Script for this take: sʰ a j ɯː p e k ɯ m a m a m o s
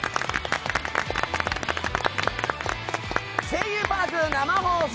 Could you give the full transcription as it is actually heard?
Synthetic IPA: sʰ e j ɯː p a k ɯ n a m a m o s